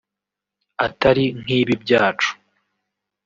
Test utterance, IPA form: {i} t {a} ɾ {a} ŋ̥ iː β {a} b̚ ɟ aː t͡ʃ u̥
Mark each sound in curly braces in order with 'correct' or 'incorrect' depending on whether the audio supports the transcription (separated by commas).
incorrect, correct, incorrect, incorrect